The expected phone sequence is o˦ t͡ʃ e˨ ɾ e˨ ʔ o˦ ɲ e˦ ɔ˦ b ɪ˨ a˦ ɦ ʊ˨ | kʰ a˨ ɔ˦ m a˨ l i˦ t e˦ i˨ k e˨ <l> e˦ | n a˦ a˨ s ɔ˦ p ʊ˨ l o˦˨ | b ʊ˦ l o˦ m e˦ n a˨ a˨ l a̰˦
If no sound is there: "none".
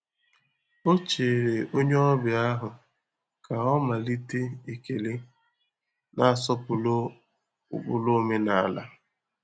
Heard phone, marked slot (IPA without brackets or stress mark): l